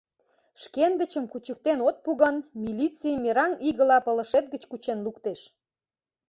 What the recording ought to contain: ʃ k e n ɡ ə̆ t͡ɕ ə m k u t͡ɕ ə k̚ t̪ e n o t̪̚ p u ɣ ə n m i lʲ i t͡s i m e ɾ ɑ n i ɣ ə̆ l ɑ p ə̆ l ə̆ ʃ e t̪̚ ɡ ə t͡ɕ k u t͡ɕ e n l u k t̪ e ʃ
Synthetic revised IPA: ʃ k e n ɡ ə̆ t͡ɕ ə m k u t͡ɕ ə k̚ t̪ e n o t̪̚ p u ɣ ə n m i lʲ i t͡s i m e ɾ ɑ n i ɣ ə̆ l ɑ p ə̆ l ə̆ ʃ e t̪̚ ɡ ə t͡ɕ k u t͡ɕ e n l u k t̪ e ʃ